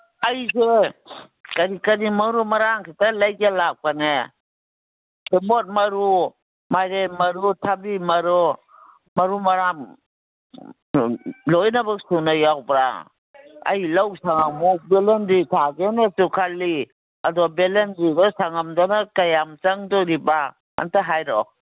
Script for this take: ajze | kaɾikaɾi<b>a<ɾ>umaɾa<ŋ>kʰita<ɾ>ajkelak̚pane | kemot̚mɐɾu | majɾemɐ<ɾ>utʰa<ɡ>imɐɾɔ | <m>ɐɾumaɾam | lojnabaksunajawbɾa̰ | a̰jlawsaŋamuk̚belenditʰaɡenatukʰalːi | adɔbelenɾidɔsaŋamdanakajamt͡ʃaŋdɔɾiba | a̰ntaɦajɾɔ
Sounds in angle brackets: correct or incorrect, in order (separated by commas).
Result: incorrect, correct, correct, incorrect, correct, incorrect, correct